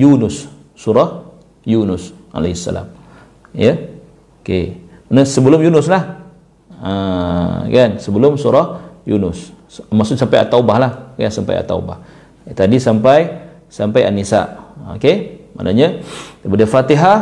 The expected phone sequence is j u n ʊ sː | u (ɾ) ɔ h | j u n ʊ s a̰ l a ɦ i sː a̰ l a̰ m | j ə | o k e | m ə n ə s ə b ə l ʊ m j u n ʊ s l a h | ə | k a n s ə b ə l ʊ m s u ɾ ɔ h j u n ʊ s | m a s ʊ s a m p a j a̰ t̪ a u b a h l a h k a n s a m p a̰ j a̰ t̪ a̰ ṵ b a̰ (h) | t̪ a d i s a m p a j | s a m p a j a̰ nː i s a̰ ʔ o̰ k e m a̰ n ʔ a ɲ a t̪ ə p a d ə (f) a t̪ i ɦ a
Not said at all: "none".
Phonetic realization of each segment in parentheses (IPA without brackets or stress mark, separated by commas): ɾ, h, f